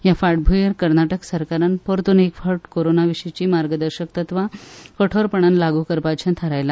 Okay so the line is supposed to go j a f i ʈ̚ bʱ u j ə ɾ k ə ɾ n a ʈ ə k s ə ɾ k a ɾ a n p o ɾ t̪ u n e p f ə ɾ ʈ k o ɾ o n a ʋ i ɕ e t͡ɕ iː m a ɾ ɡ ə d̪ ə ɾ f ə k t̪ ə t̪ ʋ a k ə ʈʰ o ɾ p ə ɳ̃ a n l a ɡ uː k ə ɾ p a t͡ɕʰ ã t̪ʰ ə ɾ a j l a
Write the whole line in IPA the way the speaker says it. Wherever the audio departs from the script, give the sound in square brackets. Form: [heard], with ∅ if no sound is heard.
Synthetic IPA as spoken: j a f [a] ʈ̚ bʱ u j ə ɾ k ə ɾ n a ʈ ə k s ə ɾ k a ɾ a n p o ɾ t̪ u n e [k] f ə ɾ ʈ k o ɾ o n a ʋ i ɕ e t͡ɕ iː m a ɾ ɡ ə d̪ ə ɾ [ɕ] ə k t̪ ə t̪ ʋ a k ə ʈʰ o ɾ p ə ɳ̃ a n l a ɡ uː k ə ɾ p a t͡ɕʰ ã t̪ʰ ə ɾ a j l a